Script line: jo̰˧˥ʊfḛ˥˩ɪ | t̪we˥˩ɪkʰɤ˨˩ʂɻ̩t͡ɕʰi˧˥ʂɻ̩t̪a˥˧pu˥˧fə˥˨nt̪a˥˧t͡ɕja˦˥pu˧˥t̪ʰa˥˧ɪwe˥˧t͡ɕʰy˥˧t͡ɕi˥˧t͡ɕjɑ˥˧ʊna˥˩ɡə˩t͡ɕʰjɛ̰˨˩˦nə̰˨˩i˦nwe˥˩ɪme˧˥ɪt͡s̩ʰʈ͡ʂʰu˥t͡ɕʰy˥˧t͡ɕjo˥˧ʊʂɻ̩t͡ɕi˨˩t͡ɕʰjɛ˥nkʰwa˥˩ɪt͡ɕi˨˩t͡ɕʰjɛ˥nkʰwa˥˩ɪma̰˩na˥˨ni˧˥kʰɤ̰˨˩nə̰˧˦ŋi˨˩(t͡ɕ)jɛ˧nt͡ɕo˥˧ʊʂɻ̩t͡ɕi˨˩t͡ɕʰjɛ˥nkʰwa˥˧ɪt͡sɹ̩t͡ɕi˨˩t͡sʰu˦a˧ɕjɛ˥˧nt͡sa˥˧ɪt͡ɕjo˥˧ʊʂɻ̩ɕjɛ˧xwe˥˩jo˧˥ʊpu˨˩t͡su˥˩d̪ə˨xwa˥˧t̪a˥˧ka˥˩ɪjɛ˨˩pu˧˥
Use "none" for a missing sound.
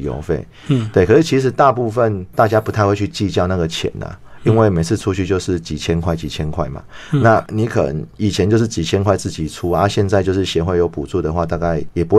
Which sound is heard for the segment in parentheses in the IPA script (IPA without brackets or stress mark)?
t͡ɕʰ